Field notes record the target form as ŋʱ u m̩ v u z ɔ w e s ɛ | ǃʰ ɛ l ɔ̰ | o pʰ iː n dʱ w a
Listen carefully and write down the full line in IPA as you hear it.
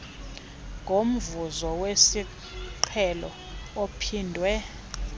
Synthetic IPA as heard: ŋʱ o m̩ v u z ɔ w e s i | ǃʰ ɛ l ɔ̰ | o pʰ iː n dʱ w ɛ